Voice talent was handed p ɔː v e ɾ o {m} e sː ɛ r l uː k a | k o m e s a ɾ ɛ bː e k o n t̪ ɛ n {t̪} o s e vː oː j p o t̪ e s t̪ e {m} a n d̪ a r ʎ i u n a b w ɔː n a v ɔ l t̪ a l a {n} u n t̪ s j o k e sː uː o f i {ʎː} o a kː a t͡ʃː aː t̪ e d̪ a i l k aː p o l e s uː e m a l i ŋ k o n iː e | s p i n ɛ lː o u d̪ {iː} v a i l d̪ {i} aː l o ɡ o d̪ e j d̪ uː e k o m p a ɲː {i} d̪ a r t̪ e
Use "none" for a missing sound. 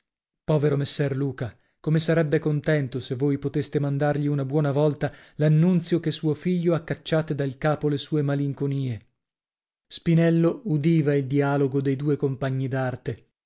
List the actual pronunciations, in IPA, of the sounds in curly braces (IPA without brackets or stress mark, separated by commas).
m, t̪, m, nː, ʎː, iː, i, i